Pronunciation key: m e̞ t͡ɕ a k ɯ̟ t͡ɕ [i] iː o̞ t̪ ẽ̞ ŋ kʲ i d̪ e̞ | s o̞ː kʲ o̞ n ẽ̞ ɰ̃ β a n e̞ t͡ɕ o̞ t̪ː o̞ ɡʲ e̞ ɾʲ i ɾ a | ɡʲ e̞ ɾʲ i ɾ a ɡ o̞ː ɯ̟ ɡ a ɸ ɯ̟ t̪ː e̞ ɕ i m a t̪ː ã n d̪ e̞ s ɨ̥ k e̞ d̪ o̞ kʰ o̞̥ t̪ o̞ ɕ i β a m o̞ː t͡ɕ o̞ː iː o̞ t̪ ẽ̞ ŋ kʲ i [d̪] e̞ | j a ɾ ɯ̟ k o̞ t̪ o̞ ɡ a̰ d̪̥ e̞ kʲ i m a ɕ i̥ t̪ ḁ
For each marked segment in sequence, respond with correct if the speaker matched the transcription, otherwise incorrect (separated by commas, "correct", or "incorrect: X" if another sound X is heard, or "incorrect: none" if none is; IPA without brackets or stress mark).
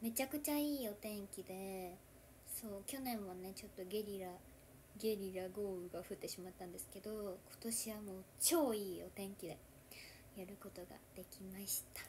incorrect: a, correct